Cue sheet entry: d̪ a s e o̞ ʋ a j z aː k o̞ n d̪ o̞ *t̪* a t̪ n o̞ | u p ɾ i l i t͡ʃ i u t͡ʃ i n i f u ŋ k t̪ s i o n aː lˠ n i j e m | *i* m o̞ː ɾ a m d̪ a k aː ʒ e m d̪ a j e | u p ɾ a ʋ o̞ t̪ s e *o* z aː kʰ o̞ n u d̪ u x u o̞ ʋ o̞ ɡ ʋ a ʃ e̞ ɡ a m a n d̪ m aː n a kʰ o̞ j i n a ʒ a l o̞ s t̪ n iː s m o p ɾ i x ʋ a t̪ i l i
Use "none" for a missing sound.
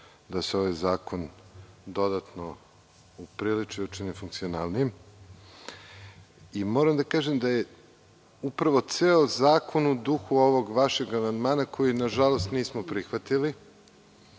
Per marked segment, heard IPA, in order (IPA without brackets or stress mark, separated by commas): d̪, i, o